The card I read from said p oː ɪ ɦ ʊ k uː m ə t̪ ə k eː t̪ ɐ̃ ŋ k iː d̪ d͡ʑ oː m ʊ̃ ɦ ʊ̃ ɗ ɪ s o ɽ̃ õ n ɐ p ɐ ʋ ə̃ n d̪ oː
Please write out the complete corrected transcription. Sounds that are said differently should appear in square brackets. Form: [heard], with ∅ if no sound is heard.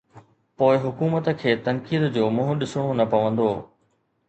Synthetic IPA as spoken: p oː ɪ ɦ ʊ k uː m ə t̪ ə [kʰ] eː t̪ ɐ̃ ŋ k iː d̪ d͡ʑ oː m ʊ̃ ɦ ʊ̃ ɗ ɪ s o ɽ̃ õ n ɐ p ɐ ʋ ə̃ n d̪ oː